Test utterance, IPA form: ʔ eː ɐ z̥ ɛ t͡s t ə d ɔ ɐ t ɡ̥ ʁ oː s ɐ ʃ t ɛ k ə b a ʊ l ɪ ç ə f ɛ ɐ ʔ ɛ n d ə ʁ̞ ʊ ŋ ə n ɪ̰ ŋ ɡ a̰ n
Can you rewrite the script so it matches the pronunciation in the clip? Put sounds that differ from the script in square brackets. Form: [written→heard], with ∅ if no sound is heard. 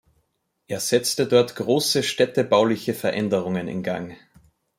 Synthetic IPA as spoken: ʔ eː ɐ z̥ ɛ t͡s t ə d ɔ ɐ t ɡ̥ ʁ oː s [ɐ→ə] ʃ t ɛ [k→t] ə b a ʊ l ɪ ç ə f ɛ ɐ ʔ ɛ n d ə ʁ̞ ʊ ŋ ə n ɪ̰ [ŋ→n] ɡ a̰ [n→ŋ]